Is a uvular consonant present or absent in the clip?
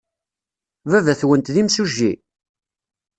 absent